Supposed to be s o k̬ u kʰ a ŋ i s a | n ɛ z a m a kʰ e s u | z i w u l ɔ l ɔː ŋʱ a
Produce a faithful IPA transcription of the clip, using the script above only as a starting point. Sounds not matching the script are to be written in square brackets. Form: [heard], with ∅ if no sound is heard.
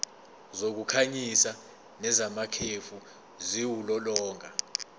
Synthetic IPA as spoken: [z] o k̬ u kʰ a [ɲ] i s a | n ɛ z a m a kʰ e [f] u | z i w u l ɔ l ɔː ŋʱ a

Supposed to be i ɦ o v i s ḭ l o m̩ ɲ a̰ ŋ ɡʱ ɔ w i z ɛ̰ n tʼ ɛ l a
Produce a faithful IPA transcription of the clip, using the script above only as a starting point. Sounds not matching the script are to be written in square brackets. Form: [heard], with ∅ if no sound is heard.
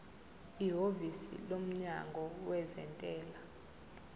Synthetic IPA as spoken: i ɦ o v i s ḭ l o m̩ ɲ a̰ ŋ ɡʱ ɔ w [ɛ] z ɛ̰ n tʼ [ɛː] l a

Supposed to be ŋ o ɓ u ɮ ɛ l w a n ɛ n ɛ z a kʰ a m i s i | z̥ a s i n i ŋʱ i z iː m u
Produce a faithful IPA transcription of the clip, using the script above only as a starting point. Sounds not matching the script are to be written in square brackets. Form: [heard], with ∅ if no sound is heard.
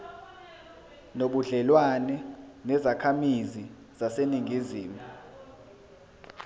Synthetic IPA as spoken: [n] o ɓ u ɮ ɛ l w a n ɛ n ɛ z a kʰ a m i [z] i | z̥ a s [e] n i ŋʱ i z iː m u

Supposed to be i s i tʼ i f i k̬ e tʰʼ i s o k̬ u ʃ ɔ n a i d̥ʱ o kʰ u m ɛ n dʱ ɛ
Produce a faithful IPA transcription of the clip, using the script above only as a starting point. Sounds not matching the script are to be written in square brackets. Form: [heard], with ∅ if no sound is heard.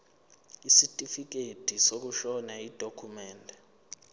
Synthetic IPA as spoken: i s i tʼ i f i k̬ e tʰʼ i s o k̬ u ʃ ɔ n a i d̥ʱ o kʰ u m [ɛː] n dʱ ɛ

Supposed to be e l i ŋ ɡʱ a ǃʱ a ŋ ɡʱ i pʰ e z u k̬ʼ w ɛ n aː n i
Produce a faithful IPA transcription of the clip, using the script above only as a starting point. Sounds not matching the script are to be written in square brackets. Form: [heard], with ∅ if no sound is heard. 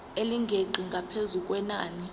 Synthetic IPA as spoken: e l i ŋ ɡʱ [e] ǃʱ [i] ŋ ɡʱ [a] pʰ e z u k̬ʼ w ɛ n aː n i

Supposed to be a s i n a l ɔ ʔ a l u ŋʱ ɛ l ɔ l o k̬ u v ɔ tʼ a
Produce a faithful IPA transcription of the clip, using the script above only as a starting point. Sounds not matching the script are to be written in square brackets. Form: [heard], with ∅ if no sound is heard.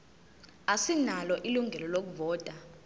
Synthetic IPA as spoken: a s i n a l ɔ ʔ [i] l u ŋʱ ɛ l ɔ l o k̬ u v [ɔː] tʼ a

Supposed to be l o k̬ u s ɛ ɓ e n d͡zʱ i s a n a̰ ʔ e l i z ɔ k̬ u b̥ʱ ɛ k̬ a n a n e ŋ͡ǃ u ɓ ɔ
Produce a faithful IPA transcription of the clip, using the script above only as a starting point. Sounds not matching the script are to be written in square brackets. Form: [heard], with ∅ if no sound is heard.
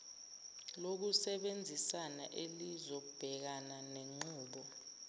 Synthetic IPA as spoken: l o k̬ u s ɛ ɓ e n d͡zʱ i s a n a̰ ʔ e l i z ɔ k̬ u b̥ʱ ɛ k̬ a n a n e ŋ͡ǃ [uː] ɓ ɔ

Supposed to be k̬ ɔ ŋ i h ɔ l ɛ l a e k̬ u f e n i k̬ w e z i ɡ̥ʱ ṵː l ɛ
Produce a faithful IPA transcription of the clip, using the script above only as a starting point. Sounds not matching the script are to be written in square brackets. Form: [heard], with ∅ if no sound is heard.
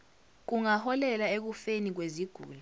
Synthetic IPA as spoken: k̬ [u] ŋ [a] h ɔ l ɛ l a e k̬ u f e n i k̬ w e z i ɡ̥ʱ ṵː l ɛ

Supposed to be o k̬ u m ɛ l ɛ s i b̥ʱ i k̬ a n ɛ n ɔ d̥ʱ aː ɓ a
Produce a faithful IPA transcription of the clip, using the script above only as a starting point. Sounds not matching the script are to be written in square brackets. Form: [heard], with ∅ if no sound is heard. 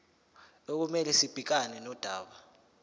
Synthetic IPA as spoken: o k̬ u m ɛ l ɛ s i b̥ʱ i k̬ a n ɛ n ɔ d̥ʱ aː ɓ a

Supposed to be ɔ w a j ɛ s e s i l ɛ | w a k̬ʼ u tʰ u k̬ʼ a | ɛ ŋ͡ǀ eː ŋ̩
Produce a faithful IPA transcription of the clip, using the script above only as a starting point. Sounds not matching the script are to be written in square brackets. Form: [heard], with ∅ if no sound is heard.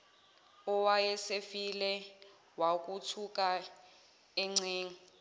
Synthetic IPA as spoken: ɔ w a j ɛ s e [f] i l ɛ | w a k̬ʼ u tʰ u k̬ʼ a | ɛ ŋ͡ǀ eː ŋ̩

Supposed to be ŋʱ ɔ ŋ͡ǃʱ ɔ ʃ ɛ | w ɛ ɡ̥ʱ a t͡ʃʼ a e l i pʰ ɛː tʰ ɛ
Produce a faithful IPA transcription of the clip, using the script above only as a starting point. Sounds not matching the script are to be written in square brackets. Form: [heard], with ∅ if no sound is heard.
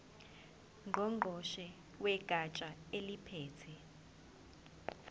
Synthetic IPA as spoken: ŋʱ ɔ ŋ͡ǃʱ ɔ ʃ ɛ | w ɛ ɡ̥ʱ a t͡ʃʼ a e l i pʰ ɛː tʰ ɛ

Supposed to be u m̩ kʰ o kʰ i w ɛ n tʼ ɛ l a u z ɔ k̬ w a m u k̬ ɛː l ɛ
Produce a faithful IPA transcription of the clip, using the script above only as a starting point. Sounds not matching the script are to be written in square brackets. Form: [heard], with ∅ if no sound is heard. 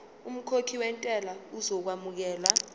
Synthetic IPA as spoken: u m̩ kʰ o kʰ i w ɛ n tʼ ɛ l a u z ɔ k̬ w a m u k̬ ɛː l [a]

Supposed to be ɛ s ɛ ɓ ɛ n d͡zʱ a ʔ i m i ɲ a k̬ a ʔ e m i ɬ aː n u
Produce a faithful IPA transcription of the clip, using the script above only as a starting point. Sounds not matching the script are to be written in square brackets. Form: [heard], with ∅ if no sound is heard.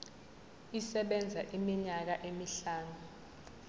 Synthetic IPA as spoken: [i] s ɛ ɓ ɛ n d͡zʱ a ʔ i m i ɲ a k̬ a ʔ e m i ɬ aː n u

